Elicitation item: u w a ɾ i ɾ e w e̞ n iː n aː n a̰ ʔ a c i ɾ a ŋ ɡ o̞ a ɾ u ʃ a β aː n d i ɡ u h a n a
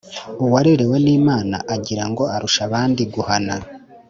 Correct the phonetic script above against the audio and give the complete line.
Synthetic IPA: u w a ɾ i ɾ e w e̞ n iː m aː n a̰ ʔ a ɟ i ɾ a ŋ ɡ o̞ a ɾ u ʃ a β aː n d i ɡ u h a n a